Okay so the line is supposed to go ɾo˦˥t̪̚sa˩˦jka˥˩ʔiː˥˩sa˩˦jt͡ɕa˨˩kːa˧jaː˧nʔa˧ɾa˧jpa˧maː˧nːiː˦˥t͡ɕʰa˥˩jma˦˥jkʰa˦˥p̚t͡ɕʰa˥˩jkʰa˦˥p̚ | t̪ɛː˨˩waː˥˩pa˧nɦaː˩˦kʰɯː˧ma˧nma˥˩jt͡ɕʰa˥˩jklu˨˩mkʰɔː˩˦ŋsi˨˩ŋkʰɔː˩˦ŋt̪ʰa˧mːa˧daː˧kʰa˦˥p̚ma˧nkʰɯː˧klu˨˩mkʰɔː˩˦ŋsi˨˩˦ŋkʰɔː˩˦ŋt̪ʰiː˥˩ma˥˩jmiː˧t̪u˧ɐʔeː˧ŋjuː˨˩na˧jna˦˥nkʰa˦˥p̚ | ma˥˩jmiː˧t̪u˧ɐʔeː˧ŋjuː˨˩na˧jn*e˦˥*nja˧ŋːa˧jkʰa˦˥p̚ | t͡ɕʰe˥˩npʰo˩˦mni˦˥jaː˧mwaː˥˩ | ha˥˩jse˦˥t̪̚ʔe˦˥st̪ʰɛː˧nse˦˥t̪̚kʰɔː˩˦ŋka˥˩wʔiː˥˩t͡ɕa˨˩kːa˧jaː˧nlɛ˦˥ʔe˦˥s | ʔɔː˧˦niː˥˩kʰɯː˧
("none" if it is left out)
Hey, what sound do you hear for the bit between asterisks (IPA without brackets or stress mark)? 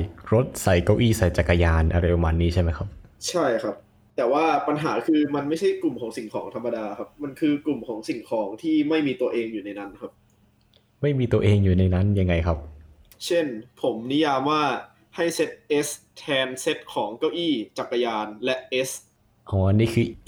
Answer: a˦˥